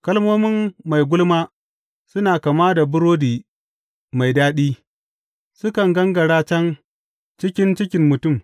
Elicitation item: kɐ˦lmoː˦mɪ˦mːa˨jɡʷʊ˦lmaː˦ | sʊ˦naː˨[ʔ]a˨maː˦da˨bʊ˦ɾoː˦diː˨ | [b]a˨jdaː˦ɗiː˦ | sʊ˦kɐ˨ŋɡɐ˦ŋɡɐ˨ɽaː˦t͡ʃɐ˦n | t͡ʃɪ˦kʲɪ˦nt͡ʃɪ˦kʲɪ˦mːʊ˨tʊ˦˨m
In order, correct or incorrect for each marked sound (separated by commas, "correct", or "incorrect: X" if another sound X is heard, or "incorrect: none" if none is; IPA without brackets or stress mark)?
incorrect: k, incorrect: m